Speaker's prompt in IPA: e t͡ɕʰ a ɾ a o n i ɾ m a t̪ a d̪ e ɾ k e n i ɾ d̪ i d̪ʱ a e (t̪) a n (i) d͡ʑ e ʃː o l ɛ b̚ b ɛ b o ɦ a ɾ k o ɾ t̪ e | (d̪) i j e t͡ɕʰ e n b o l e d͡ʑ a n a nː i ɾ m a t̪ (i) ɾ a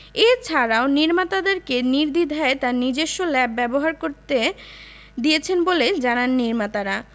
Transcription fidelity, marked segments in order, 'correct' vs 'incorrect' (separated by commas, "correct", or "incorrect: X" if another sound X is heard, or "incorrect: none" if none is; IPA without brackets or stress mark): correct, correct, correct, incorrect: a